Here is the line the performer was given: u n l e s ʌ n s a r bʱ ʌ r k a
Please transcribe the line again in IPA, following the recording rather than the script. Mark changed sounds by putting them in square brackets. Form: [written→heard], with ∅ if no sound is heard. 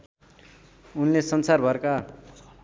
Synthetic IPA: u n l e s ʌ n s a r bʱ ʌ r k a